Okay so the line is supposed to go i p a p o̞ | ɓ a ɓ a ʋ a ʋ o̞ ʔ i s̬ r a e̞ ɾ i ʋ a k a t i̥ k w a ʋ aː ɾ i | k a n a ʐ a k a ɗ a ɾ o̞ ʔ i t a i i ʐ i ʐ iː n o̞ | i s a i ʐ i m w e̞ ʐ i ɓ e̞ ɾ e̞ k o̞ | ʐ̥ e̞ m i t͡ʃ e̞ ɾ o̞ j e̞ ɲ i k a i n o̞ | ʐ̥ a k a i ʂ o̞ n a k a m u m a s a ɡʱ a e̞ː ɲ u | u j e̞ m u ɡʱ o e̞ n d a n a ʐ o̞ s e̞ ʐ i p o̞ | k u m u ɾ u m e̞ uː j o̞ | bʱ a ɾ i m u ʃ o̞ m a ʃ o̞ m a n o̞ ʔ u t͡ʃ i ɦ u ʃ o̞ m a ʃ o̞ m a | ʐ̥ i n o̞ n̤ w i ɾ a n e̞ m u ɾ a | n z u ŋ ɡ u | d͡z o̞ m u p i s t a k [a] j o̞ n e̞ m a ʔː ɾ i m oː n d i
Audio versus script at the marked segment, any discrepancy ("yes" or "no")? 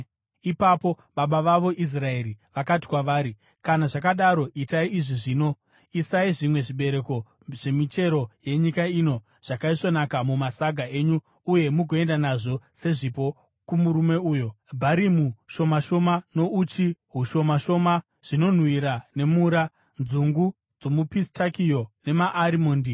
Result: yes